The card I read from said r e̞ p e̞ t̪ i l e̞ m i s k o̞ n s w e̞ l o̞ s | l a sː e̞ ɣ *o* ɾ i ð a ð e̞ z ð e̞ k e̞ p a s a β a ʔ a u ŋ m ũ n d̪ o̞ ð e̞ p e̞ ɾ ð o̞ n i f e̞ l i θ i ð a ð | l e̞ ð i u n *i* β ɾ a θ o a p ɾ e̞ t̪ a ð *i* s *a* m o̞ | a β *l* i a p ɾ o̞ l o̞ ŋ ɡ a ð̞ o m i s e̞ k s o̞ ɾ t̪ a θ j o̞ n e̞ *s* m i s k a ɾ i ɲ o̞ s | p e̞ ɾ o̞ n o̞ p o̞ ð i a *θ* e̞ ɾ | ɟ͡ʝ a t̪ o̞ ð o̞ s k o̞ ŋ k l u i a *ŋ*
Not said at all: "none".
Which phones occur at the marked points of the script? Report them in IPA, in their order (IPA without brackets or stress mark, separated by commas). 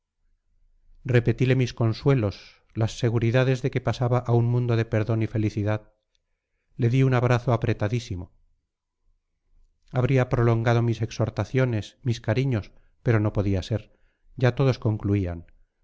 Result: u, a, i, i, ɾ, s, s, n